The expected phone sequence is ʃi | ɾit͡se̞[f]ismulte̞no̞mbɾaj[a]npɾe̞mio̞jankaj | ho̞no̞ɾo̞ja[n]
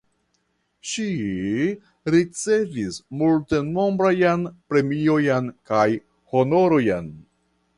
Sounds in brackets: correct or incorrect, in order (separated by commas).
incorrect, correct, correct